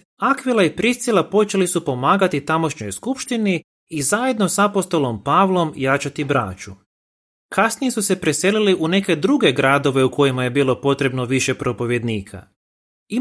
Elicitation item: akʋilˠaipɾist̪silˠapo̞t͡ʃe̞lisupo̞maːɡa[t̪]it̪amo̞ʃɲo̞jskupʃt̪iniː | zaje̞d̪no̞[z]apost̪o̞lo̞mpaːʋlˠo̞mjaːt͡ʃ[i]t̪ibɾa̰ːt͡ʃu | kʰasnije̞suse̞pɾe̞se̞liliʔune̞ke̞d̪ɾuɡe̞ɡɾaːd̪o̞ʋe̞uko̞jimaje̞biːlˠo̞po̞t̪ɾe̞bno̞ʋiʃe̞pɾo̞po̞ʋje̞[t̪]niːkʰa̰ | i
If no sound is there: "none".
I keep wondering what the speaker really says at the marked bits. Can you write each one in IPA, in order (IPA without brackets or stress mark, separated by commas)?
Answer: t̪, s, a, d̪